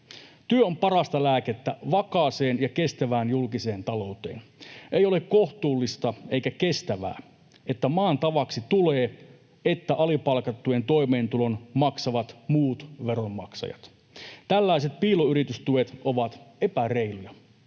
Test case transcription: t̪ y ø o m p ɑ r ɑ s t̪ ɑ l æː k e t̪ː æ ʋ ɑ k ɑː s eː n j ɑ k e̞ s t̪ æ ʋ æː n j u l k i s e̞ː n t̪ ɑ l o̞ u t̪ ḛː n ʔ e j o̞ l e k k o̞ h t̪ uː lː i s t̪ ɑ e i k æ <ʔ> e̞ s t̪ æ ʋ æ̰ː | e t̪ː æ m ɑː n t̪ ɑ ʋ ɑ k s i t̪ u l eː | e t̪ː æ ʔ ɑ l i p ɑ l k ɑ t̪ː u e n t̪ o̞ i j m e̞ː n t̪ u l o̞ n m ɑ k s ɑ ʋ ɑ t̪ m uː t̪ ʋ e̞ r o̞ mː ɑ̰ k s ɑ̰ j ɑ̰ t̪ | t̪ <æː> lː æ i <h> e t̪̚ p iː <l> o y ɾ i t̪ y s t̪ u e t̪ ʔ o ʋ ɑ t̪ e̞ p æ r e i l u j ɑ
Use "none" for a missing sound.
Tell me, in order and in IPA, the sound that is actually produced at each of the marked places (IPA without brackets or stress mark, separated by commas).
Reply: k, æ, s, l